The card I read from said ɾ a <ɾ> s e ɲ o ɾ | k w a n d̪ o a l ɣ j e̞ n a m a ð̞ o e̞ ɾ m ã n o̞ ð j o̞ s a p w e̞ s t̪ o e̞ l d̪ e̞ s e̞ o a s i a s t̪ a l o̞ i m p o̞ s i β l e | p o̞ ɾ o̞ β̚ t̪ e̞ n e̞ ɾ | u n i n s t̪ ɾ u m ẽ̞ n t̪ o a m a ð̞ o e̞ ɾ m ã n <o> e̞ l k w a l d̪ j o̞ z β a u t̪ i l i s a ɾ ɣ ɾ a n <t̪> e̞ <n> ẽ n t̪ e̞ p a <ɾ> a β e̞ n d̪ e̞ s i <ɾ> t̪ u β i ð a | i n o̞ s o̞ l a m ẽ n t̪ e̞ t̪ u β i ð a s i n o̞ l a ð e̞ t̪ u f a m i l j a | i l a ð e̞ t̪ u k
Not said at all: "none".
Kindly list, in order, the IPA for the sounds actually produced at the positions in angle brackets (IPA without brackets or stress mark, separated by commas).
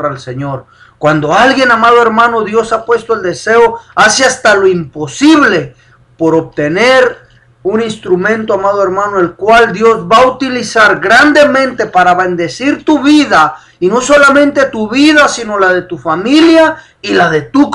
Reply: l, o, d̪, m, ɾ, ɾ